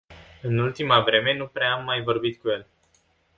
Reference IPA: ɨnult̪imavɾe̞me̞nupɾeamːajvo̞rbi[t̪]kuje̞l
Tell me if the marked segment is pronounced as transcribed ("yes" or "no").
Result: yes